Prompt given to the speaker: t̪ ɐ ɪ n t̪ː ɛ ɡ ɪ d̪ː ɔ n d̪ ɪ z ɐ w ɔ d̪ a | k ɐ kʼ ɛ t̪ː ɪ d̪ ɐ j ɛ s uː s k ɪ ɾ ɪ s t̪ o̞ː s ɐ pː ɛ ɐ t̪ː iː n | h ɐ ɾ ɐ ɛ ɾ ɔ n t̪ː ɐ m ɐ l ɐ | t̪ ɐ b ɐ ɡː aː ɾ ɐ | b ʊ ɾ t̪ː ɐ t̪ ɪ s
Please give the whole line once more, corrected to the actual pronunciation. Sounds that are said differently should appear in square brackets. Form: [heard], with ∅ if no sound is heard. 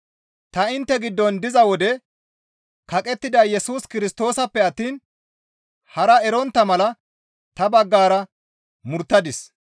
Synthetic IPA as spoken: t̪ ɐ ɪ n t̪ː ɛ ɡ ɪ d̪ː ɔ n d̪ ɪ z ɐ w ɔ d̪ [ɛ] | k ɐ kʼ ɛ t̪ː ɪ d̪ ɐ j ɛ s uː s k ɪ ɾ ɪ s t̪ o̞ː s ɐ pː ɛ ɐ t̪ː iː n | h ɐ ɾ ɐ ɛ ɾ ɔ n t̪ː ɐ m ɐ l ɐ | t̪ ɐ b ɐ ɡː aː ɾ ɐ | [m] ʊ ɾ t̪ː ɐ [d̪] ɪ s